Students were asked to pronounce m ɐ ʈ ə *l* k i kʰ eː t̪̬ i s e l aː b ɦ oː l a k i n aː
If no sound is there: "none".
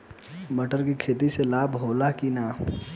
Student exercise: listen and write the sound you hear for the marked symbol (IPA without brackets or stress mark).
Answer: ɾ